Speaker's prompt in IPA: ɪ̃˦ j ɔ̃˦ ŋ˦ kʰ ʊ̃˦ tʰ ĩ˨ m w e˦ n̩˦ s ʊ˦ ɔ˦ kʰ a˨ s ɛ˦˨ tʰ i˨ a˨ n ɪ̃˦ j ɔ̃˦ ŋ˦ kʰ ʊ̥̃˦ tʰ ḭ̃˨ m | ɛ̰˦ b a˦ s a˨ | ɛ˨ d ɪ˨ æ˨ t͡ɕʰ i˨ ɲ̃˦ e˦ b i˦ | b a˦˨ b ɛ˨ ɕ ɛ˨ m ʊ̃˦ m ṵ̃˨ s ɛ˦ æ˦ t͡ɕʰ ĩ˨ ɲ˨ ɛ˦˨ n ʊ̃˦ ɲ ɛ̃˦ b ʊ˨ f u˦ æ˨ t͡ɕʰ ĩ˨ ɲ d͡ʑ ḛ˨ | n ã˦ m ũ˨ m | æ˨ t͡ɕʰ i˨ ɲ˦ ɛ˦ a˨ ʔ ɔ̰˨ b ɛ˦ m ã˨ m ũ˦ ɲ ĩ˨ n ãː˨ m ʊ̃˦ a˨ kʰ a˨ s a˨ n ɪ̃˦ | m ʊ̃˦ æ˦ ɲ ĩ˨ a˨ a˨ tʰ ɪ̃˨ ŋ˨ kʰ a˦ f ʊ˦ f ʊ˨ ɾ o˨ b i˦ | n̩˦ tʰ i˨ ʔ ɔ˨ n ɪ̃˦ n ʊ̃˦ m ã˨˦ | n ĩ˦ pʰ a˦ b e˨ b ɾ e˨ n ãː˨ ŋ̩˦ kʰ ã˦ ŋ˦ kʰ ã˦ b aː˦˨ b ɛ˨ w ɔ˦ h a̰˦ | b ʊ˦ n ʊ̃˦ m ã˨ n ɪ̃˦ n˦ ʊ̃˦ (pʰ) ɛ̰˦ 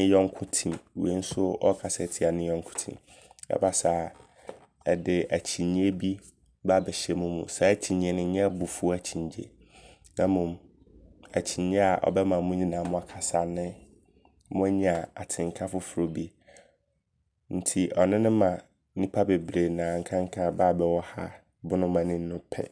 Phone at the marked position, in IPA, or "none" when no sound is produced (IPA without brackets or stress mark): pʰ